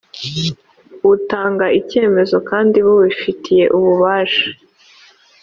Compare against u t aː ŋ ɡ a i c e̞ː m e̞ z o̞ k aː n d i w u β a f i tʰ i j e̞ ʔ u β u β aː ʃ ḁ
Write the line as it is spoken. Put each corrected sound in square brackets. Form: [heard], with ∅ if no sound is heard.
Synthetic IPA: u t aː ŋ ɡ a i c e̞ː m e̞ z o̞ k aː n d i [β] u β [i] f i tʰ i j e̞ ʔ u β u β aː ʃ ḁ